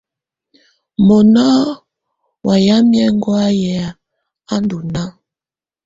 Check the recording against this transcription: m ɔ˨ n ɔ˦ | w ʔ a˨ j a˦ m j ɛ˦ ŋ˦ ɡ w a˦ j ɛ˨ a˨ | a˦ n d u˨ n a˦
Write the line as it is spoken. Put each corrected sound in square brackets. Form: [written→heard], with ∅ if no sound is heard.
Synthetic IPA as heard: m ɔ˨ n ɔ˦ | w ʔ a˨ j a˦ m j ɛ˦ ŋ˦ ɡ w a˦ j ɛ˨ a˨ | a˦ n d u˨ n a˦